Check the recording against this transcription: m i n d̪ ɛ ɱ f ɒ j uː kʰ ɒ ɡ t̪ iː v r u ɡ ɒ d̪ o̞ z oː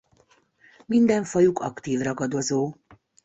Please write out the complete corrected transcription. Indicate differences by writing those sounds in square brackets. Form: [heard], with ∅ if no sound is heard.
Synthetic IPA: m i n d̪ ɛ ɱ f ɒ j [u] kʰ ɒ [k] t̪ iː v r [ɒ] ɡ ɒ d̪ o̞ z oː

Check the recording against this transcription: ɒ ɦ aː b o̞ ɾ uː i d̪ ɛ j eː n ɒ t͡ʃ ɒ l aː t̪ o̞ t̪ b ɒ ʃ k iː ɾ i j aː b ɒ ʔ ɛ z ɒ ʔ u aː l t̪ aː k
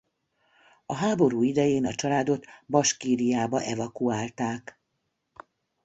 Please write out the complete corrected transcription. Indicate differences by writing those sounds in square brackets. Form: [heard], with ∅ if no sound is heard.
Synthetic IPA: ɒ ɦ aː b o̞ ɾ uː i d̪ ɛ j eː n ɒ t͡ʃ ɒ l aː [d̪] o̞ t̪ b ɒ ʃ k iː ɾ i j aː b ɒ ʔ ɛ [v] ɒ [k] u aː l t̪ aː k

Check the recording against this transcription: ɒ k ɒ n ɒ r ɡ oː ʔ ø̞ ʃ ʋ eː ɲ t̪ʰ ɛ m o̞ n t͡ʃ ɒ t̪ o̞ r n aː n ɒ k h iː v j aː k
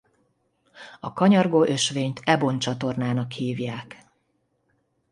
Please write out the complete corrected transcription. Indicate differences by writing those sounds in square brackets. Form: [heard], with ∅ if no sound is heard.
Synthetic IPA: ɒ k ɒ [ɲ] ɒ r ɡ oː ʔ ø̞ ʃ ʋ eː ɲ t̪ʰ ɛ [b] o̞ n t͡ʃ ɒ t̪ o̞ r n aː n ɒ k h iː v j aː k

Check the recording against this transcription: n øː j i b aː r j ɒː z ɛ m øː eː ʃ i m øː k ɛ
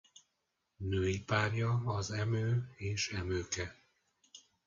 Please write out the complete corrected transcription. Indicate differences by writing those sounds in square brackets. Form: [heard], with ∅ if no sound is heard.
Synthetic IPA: n øː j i [p] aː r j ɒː z ɛ m øː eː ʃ [ɛ] m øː k ɛ

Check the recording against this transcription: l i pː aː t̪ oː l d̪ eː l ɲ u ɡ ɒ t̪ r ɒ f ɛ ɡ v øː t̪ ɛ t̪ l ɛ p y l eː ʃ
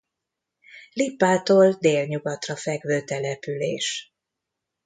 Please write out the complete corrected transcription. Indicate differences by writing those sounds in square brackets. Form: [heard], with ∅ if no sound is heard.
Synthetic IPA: l i pː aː t̪ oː l d̪ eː l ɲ u ɡ ɒ t̪ r ɒ f ɛ ɡ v øː t̪ ɛ [∅] l ɛ p y l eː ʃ

